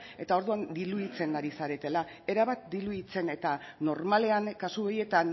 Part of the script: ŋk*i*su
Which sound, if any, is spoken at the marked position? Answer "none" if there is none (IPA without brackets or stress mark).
a